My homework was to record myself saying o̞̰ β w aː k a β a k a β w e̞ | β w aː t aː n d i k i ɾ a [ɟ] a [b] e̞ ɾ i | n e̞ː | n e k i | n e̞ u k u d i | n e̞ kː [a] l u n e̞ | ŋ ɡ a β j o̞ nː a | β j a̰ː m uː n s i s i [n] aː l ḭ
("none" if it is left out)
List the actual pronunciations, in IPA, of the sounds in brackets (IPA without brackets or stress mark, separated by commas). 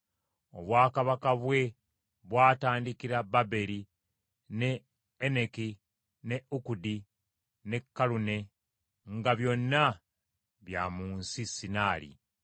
b, b, a, n